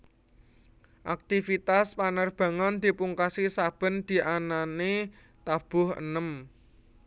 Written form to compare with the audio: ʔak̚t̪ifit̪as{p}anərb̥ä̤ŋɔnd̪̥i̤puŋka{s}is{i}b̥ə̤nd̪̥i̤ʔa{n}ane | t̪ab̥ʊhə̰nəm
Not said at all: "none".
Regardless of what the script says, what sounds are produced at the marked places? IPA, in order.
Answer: p, s, a, n

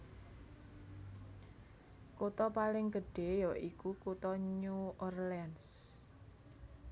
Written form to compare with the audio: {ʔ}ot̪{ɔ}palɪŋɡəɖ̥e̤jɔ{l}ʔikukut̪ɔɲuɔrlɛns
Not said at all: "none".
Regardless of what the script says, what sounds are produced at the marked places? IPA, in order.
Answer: k, ɔ, none

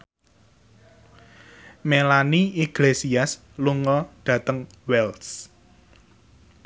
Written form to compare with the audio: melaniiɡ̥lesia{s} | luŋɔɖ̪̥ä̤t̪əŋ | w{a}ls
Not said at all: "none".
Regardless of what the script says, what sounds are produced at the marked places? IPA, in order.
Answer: s, ɛ

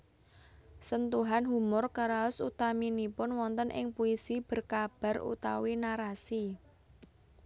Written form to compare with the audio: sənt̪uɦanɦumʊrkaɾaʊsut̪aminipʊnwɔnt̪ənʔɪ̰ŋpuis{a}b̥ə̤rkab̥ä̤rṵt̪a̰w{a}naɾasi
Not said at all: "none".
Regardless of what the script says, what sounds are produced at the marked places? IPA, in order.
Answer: i, i

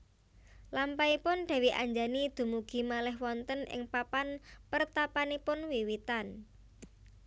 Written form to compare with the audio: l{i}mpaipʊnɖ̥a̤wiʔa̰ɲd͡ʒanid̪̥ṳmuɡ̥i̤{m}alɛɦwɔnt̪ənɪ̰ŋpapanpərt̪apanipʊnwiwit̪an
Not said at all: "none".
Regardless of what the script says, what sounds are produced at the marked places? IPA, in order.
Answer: a, m

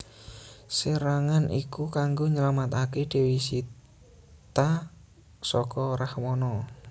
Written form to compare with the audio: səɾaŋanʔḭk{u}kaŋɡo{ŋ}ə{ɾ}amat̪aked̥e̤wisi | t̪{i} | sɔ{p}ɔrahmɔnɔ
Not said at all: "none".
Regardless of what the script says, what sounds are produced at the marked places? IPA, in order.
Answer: u, ɲ, l, a, k

